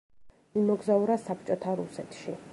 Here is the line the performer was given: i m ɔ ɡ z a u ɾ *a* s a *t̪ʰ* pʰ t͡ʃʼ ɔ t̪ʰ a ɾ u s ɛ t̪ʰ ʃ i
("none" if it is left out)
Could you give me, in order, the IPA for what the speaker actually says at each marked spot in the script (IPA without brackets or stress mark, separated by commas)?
a, none